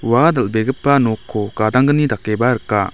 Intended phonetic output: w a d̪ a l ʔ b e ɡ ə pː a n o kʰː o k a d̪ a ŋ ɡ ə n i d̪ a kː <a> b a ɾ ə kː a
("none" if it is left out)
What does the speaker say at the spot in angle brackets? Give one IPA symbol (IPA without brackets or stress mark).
e